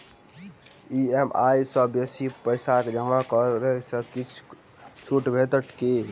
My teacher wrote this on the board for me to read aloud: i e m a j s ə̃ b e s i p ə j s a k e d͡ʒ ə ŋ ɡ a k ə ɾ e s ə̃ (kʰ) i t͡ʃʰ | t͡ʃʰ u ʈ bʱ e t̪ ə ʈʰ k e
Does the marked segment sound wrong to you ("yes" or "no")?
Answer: yes